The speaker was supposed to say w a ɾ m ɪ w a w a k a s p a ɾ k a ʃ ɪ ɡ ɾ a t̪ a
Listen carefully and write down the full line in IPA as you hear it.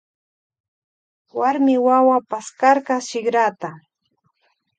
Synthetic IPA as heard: w a ɾ m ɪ w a w a p a s k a ɾ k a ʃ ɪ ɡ ɾ a t̪ a